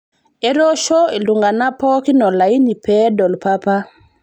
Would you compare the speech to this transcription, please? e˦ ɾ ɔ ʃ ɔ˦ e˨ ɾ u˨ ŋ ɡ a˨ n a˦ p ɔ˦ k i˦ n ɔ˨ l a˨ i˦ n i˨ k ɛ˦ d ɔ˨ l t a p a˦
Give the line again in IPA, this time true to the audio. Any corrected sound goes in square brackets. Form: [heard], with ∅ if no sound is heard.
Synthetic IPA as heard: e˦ ɾ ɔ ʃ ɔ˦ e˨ [l] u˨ ŋ ɡ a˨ n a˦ p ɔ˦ k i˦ n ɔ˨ l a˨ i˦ n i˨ [p] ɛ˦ d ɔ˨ l [p] a p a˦